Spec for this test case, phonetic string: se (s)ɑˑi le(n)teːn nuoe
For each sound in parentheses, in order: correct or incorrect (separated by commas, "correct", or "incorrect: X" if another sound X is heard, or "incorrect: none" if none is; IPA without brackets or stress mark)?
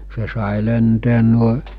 correct, correct